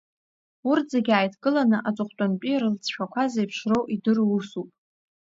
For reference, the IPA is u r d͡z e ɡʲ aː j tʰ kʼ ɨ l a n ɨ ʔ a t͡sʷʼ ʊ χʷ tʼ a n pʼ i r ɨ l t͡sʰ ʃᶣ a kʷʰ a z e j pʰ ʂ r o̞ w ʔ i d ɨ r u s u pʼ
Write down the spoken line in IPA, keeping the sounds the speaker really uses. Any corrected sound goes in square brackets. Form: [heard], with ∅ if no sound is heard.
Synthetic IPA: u r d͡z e ɡʲ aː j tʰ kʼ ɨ l a n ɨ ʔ a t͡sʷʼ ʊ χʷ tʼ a n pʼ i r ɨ l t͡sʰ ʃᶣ a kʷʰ a z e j pʰ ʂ r o̞ w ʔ i d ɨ r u s u pʼ